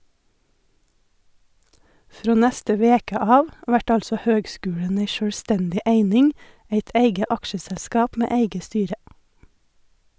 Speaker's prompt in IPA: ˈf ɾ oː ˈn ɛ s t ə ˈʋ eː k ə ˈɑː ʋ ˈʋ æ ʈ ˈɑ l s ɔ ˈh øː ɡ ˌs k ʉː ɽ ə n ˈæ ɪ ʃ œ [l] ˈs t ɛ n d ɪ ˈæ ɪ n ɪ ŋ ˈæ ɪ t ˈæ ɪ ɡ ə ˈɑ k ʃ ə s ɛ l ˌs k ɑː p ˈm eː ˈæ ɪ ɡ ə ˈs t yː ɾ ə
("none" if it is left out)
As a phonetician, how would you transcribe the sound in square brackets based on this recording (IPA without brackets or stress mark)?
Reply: ɽ